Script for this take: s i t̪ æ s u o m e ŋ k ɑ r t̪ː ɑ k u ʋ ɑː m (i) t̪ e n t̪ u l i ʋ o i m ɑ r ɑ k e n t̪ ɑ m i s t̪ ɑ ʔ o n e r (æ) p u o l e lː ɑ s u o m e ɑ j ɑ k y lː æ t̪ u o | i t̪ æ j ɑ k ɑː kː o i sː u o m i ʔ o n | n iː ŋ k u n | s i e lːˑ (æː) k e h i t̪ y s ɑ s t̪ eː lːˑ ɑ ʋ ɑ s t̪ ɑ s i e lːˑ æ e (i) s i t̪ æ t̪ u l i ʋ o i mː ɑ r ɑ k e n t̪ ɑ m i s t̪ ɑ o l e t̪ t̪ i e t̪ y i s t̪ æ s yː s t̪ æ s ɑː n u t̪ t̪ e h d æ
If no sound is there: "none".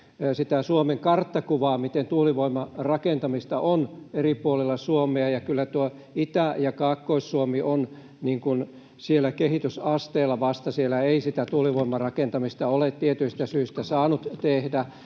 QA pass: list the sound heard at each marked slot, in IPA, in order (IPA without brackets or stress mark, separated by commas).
i, i, æ, i